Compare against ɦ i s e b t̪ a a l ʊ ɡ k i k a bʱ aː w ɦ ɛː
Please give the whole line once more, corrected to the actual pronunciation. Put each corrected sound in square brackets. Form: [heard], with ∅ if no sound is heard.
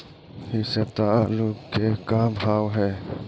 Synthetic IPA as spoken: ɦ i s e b t̪ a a l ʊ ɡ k [e] k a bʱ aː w ɦ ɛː